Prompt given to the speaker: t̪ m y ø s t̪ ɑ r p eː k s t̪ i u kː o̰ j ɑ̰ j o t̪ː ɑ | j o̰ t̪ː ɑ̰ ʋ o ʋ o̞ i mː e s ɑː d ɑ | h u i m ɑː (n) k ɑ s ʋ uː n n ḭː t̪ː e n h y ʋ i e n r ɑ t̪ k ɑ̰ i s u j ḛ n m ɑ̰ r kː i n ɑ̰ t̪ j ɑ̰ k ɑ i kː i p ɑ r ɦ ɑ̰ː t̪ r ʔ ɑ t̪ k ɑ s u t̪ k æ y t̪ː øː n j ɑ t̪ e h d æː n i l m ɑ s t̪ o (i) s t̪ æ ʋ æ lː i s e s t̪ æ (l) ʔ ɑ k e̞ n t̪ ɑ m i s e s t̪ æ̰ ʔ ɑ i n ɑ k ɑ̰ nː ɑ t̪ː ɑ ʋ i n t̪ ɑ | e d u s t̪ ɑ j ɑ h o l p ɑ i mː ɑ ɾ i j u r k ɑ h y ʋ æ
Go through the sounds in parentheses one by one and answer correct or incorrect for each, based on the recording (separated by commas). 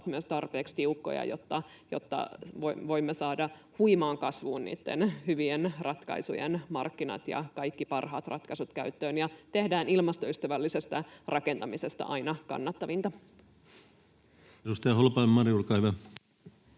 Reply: incorrect, incorrect, incorrect